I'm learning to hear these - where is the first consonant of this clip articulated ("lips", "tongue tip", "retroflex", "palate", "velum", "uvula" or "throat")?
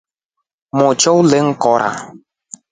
lips